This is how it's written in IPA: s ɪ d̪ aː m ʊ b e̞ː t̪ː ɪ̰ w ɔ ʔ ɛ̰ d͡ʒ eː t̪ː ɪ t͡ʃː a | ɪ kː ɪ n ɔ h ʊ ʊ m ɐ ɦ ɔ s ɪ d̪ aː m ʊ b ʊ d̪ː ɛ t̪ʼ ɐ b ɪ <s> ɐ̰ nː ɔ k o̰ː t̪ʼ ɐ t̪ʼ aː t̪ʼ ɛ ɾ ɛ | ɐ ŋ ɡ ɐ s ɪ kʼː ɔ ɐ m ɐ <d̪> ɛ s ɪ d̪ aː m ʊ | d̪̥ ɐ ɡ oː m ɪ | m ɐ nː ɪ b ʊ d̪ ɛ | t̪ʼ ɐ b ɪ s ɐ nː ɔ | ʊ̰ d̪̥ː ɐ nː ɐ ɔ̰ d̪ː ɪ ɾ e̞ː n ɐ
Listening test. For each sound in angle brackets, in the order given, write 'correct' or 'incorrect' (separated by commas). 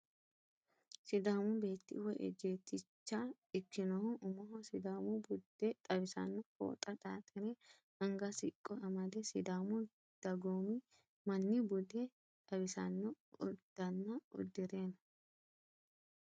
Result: correct, correct